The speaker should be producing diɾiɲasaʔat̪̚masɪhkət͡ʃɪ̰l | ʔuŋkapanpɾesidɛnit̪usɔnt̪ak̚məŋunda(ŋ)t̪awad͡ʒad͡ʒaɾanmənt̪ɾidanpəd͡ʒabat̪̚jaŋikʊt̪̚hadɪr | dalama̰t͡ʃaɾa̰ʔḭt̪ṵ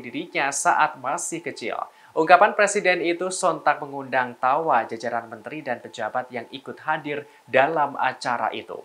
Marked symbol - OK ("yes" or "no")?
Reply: yes